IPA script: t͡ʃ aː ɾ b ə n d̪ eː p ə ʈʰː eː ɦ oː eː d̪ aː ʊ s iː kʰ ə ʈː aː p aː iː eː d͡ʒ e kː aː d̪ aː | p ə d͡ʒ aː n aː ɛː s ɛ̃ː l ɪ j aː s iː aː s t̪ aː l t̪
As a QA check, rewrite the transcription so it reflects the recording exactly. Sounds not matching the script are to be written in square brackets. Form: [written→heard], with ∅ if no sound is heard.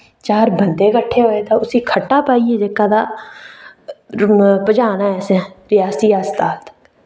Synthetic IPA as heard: t͡ʃ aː ɾ b ə n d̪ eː [p→k] ə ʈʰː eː ɦ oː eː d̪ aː ʊ s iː kʰ ə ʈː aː p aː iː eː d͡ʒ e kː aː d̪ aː | p ə d͡ʒ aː n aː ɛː s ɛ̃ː [l→ɾ] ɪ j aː s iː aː s t̪ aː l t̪